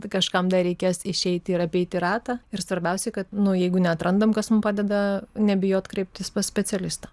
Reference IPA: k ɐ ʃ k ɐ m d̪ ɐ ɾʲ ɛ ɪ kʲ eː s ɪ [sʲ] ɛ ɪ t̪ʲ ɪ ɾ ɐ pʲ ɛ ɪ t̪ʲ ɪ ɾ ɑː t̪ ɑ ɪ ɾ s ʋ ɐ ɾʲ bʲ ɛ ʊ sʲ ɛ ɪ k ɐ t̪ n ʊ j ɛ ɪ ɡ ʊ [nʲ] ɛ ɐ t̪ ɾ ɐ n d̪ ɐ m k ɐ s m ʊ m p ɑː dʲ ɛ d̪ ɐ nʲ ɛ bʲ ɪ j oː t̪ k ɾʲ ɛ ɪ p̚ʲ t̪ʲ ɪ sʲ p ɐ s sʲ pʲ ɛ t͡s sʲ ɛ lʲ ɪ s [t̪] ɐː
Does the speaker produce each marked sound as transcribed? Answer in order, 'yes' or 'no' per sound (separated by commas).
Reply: no, yes, yes